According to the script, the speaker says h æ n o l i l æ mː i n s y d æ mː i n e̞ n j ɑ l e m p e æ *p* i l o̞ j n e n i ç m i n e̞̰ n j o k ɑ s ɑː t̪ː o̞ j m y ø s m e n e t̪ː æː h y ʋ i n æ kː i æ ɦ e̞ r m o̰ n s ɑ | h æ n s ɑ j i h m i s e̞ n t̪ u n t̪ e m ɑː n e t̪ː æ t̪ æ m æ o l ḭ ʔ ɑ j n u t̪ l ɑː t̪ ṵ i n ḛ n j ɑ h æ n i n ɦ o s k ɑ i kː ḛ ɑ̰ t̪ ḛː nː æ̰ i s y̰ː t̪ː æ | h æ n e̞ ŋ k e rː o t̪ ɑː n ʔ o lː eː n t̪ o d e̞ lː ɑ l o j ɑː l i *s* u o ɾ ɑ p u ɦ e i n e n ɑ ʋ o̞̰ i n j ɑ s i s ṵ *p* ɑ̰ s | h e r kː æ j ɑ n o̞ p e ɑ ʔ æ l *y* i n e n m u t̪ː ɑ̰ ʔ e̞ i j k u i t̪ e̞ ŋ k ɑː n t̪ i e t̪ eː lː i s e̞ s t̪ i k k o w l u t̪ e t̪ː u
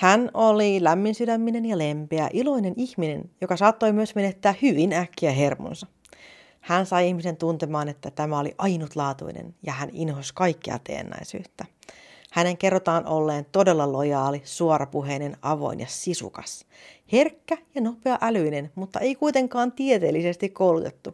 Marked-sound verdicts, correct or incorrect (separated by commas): incorrect, correct, incorrect, correct